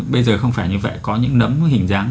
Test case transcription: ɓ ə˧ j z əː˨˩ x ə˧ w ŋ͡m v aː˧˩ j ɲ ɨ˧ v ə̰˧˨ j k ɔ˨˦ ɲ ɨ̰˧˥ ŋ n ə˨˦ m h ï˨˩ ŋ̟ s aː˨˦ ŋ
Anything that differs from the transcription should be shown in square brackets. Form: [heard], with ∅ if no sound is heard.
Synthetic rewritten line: ɓ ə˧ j z əː˨˩ x ə˧ w ŋ͡m [f] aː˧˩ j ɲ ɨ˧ v ə̰˧˨ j k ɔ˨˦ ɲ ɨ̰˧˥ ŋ n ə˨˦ m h ï˨˩ ŋ̟ [z] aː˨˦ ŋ